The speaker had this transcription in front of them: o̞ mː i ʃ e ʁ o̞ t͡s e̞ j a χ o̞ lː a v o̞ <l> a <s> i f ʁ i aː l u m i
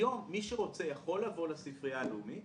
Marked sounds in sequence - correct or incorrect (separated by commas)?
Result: correct, correct